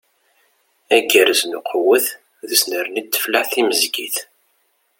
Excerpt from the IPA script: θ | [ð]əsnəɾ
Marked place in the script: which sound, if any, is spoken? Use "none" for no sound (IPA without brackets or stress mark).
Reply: ð